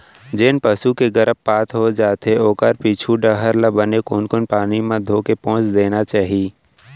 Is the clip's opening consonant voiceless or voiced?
voiced